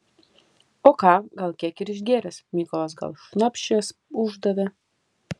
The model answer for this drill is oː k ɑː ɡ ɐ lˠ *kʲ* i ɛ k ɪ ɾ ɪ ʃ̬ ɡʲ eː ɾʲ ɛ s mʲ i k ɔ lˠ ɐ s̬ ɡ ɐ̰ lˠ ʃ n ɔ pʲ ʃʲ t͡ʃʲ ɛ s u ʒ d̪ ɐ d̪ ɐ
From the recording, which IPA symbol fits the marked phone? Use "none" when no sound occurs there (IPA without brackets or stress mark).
kʲ